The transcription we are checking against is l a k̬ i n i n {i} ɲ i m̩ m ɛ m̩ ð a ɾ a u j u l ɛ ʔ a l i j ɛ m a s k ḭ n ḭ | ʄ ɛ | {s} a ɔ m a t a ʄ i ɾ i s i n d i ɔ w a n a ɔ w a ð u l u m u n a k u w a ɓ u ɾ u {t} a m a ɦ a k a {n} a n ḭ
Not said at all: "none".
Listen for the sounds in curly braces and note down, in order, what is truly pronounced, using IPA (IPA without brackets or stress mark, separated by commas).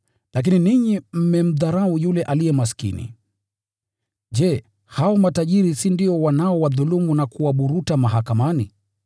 i, h, t, m